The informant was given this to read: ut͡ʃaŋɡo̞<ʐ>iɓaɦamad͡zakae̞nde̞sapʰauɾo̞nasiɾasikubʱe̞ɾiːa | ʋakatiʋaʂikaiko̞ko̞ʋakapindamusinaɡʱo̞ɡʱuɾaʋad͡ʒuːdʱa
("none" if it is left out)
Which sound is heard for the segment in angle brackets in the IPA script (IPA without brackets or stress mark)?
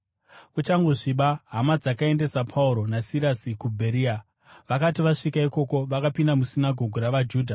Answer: ʐ